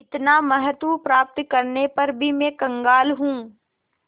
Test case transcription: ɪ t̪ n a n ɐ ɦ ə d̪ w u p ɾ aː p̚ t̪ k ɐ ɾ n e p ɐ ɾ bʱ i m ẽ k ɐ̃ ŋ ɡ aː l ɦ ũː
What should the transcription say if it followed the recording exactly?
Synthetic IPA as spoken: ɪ t̪ n a m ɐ ɦ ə t̪ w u p ɾ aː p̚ t̪ k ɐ ɾ n e p ɐ ɾ bʱ i m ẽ k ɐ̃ ŋ ɡ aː l ɦ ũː